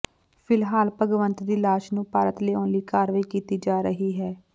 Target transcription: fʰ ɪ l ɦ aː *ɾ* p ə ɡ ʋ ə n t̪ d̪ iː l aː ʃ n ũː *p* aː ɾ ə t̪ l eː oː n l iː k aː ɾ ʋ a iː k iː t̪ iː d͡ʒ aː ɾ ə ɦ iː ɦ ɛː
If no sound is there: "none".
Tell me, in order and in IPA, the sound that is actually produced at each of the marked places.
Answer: l, p

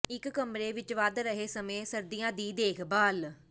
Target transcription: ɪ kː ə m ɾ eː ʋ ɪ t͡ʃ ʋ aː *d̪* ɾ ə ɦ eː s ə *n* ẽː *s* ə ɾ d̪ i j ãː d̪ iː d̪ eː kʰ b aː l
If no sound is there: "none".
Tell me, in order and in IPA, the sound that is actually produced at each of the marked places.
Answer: d̪, m, s

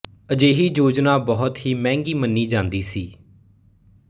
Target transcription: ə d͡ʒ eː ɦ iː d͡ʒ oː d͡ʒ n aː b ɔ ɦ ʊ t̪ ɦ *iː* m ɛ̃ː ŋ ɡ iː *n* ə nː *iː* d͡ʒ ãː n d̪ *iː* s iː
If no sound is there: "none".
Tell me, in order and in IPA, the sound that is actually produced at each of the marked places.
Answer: iː, m, iː, iː

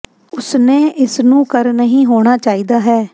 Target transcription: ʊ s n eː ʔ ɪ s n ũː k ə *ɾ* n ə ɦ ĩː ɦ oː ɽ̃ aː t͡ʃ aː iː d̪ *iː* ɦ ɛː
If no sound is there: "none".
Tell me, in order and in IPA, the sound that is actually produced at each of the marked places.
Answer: ɾ, aː

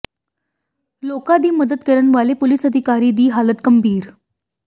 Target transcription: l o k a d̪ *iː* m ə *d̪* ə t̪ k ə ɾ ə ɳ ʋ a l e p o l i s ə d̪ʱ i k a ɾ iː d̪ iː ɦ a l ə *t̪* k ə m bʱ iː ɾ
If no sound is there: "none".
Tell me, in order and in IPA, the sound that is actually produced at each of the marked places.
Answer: iː, d̪, t̪

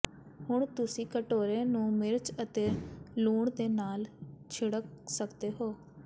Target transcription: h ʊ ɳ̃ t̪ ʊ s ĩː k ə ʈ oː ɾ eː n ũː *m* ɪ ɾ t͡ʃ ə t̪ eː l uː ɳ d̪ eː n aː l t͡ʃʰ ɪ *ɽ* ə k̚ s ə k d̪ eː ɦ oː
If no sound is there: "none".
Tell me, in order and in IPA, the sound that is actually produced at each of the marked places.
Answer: m, ɽ

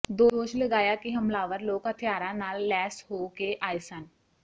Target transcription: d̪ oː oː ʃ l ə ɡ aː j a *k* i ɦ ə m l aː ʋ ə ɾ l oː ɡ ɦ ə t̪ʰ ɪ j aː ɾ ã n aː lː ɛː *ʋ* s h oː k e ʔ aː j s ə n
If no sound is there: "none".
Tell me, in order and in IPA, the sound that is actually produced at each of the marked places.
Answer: k, none

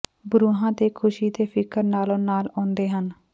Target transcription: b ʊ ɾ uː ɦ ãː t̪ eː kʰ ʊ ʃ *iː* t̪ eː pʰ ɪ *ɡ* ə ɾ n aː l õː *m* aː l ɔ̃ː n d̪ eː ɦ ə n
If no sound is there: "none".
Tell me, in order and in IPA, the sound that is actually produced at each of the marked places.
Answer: iː, k, n

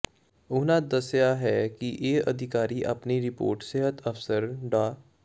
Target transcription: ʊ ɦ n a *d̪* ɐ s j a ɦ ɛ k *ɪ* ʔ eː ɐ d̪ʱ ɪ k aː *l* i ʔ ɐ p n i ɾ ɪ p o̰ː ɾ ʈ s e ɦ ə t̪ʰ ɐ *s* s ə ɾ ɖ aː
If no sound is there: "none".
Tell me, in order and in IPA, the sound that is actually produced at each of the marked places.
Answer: d̪, i, ɾ, f

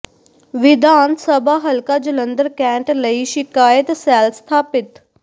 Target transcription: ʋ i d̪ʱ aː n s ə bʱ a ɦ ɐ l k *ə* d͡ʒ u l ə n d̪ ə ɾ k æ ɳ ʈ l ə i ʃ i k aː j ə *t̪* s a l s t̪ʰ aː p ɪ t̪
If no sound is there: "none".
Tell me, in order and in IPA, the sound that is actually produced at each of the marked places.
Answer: a, t̪

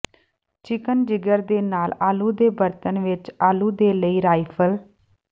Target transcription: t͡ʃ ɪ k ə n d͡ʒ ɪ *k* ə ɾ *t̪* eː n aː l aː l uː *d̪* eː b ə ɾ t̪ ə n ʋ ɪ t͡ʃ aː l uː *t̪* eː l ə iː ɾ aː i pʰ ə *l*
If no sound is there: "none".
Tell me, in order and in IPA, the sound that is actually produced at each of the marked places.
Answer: ɡ, d̪, d̪, d̪, l

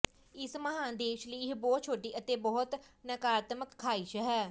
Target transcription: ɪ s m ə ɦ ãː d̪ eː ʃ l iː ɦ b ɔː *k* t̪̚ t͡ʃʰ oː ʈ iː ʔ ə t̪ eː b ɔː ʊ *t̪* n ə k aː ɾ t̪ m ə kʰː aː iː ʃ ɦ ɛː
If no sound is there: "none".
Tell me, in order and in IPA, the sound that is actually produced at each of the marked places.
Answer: none, t̪

